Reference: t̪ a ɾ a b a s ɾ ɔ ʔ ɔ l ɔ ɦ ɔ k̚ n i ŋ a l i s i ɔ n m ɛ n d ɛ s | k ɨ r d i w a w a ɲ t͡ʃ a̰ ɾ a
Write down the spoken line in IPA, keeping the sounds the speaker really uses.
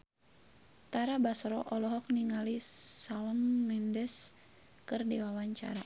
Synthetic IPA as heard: t̪ a ɾ a b a s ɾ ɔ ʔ ɔ l ɔ ɦ ɔ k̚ n i ŋ a l i s a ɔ n m ɛ n d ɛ s | k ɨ r d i w a w a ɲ t͡ʃ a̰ ɾ a